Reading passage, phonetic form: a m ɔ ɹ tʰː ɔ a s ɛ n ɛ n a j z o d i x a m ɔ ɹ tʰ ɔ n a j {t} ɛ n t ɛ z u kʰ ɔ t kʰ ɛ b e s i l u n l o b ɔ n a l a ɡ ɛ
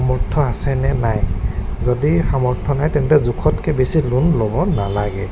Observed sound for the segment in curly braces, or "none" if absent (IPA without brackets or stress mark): t